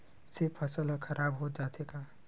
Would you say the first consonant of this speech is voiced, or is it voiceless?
voiceless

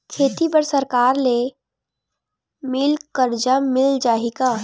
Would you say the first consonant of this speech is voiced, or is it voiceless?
voiceless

